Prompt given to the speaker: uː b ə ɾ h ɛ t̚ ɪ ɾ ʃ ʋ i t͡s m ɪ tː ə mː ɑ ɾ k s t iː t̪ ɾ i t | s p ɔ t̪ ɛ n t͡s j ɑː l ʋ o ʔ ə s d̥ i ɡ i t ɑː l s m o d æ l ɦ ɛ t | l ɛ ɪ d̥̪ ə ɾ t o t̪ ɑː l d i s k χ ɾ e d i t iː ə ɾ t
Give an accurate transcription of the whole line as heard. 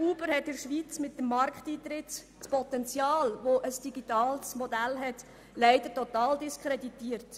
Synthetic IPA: uː b ə ɾ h ɛ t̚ ɪ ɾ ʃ ʋ i t͡s m ɪ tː ə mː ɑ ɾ k χ t iː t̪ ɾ ɪ t | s p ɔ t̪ ɛ n t͡s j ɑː l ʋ o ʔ ə s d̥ i ɡ i t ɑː l s m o d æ l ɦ ɛ t | l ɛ ɪ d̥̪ ə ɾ t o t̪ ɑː l d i s k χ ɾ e d i t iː ə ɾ t